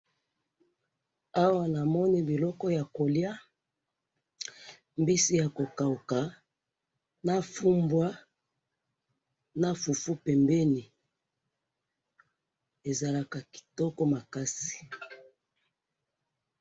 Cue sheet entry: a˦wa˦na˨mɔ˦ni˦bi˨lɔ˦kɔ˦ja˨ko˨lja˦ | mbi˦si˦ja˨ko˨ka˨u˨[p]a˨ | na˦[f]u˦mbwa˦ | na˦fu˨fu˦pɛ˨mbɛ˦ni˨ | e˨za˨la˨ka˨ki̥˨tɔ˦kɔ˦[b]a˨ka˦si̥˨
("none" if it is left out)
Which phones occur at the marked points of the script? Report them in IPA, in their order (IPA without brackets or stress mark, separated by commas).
k, f, m